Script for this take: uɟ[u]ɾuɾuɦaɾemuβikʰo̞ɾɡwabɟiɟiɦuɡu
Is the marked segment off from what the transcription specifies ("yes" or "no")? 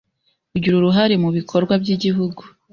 no